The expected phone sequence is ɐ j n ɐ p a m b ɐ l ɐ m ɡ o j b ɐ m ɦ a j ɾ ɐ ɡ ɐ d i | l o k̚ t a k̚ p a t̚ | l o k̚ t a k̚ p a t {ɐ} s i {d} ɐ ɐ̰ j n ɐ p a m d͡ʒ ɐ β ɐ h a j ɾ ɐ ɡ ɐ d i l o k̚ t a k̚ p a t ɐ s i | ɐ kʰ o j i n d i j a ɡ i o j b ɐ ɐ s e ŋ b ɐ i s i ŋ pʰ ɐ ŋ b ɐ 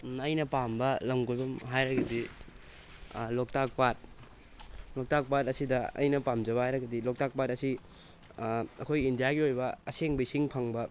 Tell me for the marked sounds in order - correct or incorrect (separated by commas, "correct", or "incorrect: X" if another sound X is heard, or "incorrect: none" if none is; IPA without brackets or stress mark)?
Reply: correct, correct